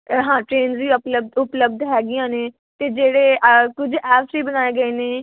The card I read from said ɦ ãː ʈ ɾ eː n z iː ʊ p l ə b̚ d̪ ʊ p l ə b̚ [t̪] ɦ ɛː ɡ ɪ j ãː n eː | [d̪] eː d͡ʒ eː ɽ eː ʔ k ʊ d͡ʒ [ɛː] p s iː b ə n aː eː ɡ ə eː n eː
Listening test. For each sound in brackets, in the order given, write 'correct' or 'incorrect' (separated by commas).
incorrect, incorrect, correct